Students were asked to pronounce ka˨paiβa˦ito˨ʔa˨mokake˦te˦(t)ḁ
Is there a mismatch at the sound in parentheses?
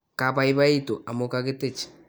yes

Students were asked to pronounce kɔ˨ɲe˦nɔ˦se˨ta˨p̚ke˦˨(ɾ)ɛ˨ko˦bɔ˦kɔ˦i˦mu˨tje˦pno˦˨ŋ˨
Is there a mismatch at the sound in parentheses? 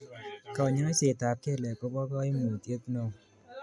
yes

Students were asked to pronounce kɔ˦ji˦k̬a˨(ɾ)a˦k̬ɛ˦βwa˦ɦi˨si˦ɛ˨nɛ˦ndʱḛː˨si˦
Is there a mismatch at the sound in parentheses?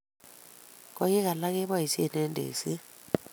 yes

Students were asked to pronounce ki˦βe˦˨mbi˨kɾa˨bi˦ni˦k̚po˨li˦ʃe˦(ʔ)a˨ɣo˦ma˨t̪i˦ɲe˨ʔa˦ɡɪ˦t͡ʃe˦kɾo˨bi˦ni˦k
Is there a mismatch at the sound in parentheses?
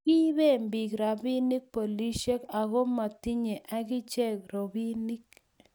yes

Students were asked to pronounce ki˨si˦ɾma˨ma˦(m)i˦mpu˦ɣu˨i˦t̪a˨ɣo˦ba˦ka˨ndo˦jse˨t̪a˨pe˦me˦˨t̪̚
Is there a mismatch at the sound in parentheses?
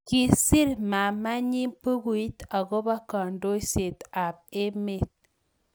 yes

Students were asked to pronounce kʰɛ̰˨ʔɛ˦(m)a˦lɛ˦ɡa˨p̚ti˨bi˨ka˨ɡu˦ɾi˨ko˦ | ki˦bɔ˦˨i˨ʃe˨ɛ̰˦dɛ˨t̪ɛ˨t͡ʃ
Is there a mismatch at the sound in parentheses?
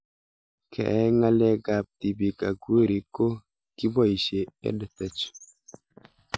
yes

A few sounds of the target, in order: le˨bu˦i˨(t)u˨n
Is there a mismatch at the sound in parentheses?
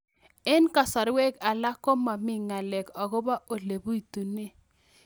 no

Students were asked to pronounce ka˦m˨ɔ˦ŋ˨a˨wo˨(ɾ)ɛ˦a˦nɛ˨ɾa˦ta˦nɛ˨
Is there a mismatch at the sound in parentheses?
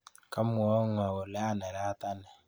yes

